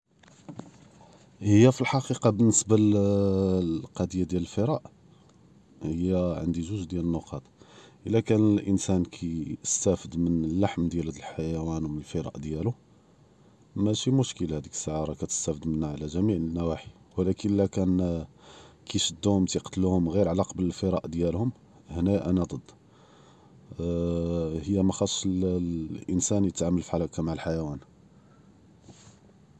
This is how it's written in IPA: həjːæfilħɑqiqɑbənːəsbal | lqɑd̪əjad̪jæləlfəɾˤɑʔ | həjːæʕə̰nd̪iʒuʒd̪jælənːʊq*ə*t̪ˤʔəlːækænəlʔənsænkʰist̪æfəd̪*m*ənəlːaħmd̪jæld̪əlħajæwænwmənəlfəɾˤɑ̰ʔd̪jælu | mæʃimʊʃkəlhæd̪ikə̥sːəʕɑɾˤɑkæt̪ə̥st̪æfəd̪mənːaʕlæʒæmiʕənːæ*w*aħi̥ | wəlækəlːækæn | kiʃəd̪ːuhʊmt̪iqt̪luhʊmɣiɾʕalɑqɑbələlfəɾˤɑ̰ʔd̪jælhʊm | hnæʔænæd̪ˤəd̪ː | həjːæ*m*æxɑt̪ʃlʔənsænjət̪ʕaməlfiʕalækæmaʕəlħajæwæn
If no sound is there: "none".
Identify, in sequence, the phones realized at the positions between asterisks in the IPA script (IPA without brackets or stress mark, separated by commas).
ɑ, m, w, m